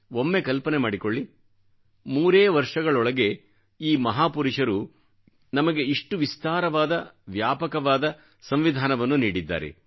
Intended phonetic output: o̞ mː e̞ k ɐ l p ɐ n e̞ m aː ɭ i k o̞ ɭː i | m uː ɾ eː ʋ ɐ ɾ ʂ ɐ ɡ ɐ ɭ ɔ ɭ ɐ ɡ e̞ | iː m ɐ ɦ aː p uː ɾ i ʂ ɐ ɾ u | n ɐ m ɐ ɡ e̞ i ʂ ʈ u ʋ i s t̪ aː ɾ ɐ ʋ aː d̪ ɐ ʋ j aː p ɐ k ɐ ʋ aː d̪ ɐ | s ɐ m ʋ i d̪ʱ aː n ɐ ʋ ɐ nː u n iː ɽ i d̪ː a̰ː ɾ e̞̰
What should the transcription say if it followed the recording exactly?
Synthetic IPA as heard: o̞ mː e̞ k ɐ l p ɐ n e̞ m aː ɽ i k o̞ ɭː i | m uː ɾ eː ʋ ɐ ɾ ʂ ɐ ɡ ɐ ɭ ɔ ɭ ɐ ɡ e̞ | iː m ɐ ɦ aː p u ɾ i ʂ ɐ ɾ u | n ɐ m ɐ ɡ e̞ i ʂ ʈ u ʋ i s t̪ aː ɾ ɐ ʋ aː d̪ ɐ ʋ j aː p ɐ k ɐ ʋ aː d̪ ɐ | s ɐ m ʋ i d̪ʱ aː n ɐ ʋ ɐ nː u n iː ɽ i d̪ː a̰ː ɾ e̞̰